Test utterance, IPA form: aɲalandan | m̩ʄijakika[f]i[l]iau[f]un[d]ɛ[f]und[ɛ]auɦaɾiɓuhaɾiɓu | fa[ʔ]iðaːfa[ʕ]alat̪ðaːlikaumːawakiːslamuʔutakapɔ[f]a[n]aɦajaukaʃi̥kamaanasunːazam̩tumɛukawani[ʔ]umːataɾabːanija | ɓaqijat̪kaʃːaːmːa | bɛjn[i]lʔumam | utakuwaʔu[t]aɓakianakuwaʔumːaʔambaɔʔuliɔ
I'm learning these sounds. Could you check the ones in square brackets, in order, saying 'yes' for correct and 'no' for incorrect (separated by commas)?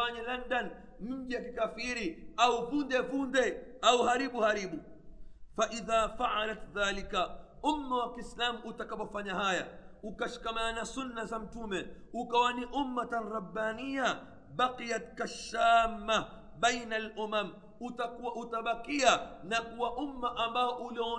yes, no, no, yes, no, yes, yes, yes, yes, no, yes, no, yes